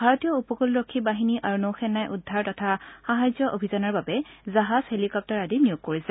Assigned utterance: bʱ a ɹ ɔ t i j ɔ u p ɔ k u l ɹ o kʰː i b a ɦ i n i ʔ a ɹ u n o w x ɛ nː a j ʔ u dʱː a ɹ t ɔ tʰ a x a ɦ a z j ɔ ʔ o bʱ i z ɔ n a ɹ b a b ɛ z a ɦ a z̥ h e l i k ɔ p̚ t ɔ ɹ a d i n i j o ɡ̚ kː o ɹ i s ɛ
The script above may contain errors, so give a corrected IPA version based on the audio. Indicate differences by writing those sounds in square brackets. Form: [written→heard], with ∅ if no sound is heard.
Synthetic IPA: bʱ a ɹ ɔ t i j ɔ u p ɔ k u l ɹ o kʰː i b a ɦ i n i ʔ a ɹ u n o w x ɛ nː a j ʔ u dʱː a ɹ t ɔ tʰ a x a ɦ a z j ɔ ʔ o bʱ i z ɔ n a ɹ b a b ɛ z a ɦ a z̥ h e l i k ɔ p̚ t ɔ ɹ a d i n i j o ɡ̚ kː o ɹ i s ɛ